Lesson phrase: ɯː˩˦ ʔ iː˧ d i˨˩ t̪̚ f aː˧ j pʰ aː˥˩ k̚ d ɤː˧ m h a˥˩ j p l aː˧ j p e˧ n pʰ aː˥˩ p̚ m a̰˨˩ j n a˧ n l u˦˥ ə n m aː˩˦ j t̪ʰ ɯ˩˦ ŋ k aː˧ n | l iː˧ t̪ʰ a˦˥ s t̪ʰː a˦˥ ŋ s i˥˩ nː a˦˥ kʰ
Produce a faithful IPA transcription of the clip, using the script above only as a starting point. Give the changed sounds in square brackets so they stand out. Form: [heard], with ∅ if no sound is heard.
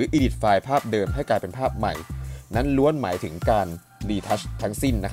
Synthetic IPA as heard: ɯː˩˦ ʔ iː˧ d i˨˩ t̪̚ f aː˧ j pʰ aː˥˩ [p̚] d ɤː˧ m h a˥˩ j [k] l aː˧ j p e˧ n pʰ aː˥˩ p̚ m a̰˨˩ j n [a˦˥] n l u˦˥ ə n m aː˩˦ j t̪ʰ ɯ˩˦ ŋ k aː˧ n | l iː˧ t̪ʰ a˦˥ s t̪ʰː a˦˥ ŋ s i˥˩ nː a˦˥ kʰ